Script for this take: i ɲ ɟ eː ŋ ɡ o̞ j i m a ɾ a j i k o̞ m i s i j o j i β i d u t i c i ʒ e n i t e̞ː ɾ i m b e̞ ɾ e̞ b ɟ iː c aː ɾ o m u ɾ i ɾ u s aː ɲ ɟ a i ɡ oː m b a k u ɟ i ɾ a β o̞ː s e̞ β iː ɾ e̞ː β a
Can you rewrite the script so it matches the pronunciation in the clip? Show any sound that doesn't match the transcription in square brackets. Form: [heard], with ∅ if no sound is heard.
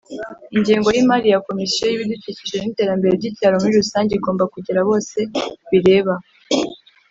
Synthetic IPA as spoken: i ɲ ɟ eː ŋ ɡ o̞ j i m a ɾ [i] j [a] k o̞ m i s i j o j i β i d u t i c i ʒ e n i t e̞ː ɾ [a] m b e̞ ɾ e̞ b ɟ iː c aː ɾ o m u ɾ i ɾ u s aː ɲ ɟ [e] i ɡ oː m b a k u ɟ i ɾ a β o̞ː s e̞ β [i] ɾ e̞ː β a